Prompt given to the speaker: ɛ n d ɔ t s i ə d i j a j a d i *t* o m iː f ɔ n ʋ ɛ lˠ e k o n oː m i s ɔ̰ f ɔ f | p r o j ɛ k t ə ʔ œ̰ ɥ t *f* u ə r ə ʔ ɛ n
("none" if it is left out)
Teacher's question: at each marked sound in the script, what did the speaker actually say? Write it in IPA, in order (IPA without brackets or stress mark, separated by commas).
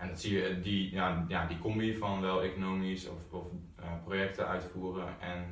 k, f